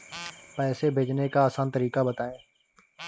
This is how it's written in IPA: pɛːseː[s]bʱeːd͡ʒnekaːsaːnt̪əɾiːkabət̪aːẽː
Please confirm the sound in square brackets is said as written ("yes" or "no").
no